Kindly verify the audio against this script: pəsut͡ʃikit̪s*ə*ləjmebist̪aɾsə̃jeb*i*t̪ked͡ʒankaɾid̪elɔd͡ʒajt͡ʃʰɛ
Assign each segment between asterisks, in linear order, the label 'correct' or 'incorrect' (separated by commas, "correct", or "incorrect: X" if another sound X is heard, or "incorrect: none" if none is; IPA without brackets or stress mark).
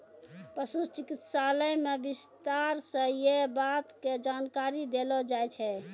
incorrect: a, incorrect: a